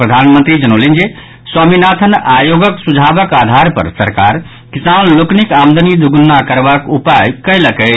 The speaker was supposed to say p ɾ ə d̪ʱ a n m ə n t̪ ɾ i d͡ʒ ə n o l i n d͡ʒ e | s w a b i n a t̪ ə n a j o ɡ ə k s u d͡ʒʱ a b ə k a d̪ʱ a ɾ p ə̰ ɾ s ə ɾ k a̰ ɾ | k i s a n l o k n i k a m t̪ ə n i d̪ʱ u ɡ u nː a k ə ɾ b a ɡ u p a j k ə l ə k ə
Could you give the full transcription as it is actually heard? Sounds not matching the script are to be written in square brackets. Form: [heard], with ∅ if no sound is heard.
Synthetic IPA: p ɾ ə d̪ʱ a n m ə n t̪ ɾ i d͡ʒ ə n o l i n d͡ʒ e | s w a [m] i n a [t̪ʰ] ə n a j o ɡ ə k s u d͡ʒʱ a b ə k a d̪ʱ a ɾ p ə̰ ɾ s ə ɾ k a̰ ɾ | k i s a n l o k n i k a m [d̪] ə n i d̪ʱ u ɡ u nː a k ə ɾ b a [k] u p a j k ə l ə k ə